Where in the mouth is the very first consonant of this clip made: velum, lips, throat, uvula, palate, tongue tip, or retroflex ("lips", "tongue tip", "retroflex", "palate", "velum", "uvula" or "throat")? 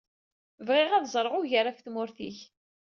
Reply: lips